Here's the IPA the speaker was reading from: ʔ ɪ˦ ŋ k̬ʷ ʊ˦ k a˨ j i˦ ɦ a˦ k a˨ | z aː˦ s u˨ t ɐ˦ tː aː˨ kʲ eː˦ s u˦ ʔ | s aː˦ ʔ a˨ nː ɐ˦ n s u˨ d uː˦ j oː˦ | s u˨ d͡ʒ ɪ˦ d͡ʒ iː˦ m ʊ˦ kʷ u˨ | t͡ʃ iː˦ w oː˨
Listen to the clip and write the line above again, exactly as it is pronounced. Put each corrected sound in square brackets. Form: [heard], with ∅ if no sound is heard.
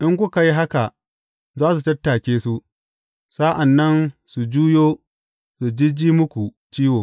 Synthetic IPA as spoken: ʔ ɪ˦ ŋ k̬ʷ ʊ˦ k a˨ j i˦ ɦ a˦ k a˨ | z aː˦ s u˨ t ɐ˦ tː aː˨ kʲ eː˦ s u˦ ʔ | s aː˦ ʔ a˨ nː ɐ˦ n s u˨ [d͡ʒ] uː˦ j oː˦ | s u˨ d͡ʒ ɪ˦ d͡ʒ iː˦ m ʊ˦ kʷ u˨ | t͡ʃ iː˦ w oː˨